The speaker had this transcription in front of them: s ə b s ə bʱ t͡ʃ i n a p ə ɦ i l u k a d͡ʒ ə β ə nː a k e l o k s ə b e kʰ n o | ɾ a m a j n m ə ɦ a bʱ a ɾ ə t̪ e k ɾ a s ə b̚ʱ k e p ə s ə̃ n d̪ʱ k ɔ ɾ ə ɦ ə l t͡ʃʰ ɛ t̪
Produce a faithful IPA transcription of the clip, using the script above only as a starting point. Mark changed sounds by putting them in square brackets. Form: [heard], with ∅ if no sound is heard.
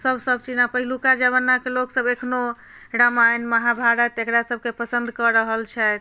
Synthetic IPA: s ə b s ə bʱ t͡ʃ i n a p ə ɦ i l u k a d͡ʒ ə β ə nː a k e l o k s ə b e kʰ n o | ɾ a m a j n m ə ɦ a bʱ a ɾ ə t̪ e k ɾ a s ə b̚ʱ k e p ə s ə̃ n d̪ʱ k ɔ ɾ ə ɦ ə l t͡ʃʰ ɛ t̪